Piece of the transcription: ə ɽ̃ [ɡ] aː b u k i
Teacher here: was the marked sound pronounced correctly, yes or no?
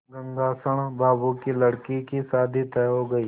no